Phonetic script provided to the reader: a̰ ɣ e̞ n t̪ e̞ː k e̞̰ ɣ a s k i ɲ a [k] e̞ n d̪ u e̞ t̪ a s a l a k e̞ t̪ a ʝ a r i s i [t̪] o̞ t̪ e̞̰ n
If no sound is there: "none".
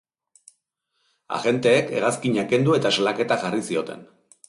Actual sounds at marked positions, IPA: k, none

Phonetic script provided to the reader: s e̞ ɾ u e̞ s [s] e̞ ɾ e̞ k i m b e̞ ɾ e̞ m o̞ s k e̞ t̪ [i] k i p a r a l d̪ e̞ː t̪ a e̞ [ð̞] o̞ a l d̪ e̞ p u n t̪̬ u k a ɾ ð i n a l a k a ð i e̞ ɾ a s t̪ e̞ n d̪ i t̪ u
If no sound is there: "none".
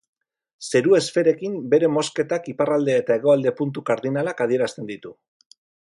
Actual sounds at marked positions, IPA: f, a, ɣ̞

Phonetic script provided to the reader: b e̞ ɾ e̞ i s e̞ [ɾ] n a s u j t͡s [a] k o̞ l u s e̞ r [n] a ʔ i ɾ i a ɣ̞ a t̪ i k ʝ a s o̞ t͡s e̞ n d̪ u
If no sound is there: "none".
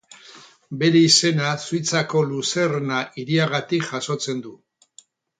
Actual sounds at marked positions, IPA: none, a, n

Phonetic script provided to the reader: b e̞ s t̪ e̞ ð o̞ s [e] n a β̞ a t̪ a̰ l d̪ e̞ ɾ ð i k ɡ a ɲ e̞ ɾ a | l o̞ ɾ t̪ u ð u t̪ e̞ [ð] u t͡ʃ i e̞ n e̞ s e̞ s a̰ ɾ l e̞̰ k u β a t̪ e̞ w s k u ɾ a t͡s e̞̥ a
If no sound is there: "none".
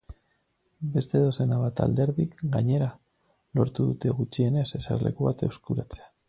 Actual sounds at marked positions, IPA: e, ɣ

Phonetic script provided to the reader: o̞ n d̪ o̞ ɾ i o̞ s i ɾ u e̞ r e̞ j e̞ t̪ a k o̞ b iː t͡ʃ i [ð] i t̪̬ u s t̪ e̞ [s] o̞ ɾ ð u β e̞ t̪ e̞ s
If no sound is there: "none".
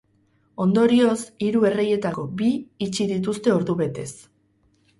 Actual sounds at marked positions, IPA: ð, none

